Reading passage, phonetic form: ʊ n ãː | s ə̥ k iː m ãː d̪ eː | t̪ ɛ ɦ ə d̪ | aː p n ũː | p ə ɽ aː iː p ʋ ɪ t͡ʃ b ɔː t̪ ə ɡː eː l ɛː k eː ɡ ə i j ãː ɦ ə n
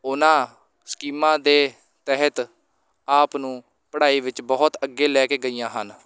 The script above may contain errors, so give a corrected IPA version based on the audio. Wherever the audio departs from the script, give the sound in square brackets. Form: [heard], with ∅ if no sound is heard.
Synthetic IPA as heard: ʊ n ãː | s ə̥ k iː m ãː d̪ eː | t̪ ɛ ɦ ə [t̪] | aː p n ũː | p ə ɽ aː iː [∅] ʋ ɪ t͡ʃ b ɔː t̪ ə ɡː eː l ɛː k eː ɡ ə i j ãː ɦ ə n